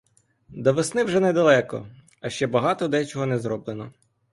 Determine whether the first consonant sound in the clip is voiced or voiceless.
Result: voiced